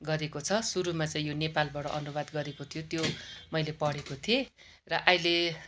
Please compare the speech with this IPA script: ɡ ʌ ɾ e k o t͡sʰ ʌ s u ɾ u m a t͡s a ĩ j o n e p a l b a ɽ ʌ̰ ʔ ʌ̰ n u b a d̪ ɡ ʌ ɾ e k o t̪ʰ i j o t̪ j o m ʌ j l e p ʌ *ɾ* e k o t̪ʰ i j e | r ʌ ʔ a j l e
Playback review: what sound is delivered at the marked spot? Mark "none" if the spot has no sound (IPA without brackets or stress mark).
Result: ɽ